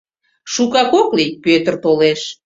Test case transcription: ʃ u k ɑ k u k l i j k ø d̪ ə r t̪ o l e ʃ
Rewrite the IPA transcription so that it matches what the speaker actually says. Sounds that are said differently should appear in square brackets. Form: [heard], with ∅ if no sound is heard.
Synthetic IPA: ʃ u k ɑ k [o] k l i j [p] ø [t̪] ə r t̪ o l e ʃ